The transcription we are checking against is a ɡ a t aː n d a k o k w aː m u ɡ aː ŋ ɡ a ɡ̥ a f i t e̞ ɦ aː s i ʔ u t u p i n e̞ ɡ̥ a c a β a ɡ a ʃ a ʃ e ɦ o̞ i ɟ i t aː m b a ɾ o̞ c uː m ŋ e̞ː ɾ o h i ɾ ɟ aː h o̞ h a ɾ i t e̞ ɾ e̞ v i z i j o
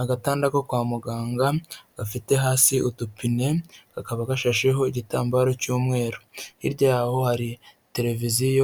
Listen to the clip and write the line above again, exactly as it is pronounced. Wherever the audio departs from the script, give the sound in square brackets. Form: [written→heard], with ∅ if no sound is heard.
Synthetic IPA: a ɡ a t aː n d a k o k w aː m u ɡ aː ŋ ɡ a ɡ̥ a f i t e̞ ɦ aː s i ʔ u t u p i n e̞ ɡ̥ a [c→k] a β a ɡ a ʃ a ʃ e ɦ o̞ i ɟ i t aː m b a ɾ o̞ c uː m ŋ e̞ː ɾ o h i ɾ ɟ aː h o̞ h a ɾ i t e̞ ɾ e̞ v i z i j o